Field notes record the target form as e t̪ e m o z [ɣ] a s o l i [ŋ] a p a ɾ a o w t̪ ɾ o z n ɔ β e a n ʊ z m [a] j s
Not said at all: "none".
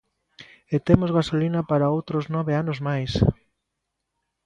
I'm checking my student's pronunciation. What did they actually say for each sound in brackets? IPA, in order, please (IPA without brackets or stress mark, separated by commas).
ɣ, n, a